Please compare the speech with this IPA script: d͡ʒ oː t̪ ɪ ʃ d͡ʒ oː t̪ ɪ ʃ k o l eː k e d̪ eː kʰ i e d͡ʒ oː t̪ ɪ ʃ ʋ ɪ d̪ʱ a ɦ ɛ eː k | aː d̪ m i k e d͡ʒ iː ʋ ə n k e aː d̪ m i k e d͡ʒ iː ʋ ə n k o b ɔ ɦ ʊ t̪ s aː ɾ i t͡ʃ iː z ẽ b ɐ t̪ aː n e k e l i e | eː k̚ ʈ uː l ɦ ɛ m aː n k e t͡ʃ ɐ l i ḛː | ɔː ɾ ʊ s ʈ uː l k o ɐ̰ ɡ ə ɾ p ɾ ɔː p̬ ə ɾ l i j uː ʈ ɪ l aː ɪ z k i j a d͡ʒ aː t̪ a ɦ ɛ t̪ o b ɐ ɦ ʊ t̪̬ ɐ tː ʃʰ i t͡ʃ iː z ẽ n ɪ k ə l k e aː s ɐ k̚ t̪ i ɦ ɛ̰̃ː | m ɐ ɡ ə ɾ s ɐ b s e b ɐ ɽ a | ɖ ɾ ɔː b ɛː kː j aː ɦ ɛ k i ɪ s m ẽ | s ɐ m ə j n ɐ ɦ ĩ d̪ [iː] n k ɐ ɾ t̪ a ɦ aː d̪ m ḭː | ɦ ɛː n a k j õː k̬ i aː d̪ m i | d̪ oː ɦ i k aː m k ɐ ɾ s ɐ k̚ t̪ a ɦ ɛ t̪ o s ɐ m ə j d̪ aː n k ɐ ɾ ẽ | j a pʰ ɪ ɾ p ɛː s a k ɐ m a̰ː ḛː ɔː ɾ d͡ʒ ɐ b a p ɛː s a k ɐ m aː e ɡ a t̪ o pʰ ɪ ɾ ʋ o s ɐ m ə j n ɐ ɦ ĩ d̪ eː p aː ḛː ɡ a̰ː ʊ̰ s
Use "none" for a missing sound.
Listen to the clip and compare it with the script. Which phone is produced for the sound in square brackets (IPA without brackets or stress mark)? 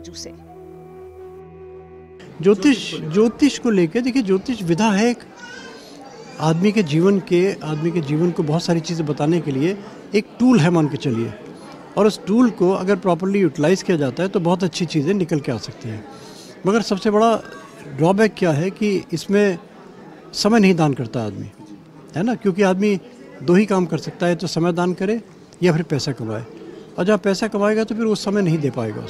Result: aː